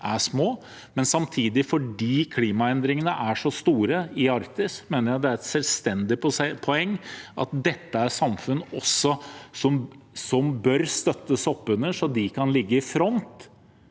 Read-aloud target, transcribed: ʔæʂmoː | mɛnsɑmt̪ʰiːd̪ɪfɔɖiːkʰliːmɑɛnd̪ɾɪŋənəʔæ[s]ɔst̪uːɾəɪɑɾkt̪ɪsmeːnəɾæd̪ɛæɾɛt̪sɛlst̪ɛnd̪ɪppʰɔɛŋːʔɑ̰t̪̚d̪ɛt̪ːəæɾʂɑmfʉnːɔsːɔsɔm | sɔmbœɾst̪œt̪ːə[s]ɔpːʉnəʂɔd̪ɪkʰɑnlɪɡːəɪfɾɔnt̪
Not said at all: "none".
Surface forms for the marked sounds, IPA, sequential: ʂ, s

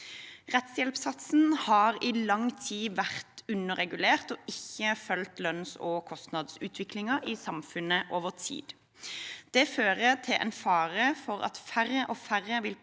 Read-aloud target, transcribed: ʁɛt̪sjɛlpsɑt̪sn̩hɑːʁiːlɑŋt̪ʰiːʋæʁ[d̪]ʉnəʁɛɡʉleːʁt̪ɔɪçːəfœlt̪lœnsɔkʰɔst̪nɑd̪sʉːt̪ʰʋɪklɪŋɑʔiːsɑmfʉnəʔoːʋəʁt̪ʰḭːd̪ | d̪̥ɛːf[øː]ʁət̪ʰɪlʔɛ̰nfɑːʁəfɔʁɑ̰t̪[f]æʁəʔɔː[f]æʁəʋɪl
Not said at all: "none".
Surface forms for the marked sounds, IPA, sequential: t̪, øː, f, f

